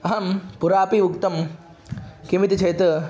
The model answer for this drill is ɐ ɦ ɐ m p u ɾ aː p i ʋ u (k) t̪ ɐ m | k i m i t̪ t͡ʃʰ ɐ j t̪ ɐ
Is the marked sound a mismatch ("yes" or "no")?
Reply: no